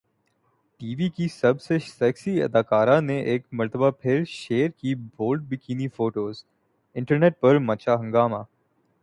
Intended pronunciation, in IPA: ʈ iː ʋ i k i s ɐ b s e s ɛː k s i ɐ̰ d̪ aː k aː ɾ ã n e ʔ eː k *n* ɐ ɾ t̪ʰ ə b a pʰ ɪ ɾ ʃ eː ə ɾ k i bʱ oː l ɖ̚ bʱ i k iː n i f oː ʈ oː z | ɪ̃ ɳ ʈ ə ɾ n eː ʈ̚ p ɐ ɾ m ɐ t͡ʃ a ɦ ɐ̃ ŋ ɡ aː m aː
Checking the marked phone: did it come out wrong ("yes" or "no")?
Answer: yes